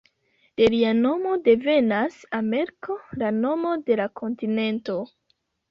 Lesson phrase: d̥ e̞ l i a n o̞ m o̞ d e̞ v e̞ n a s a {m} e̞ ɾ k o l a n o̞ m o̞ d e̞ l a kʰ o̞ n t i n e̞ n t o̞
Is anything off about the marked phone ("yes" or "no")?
no